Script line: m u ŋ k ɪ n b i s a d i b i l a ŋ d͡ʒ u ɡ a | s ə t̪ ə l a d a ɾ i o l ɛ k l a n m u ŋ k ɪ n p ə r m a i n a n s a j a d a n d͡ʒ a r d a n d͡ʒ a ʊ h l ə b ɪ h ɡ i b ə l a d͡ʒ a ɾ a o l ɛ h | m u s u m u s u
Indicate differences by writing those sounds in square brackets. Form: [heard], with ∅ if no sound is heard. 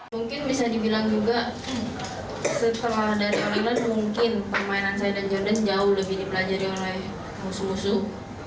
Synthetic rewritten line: m u ŋ k ɪ n b i s a d i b i l a ŋ d͡ʒ u ɡ a | s ə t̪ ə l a d a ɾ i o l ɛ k l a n m u ŋ k ɪ n p ə r m a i n a n s a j a d a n d͡ʒ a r d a n d͡ʒ a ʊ h l ə b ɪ h [d] i b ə l a d͡ʒ a ɾ [i] o l ɛ h | m u s u m u s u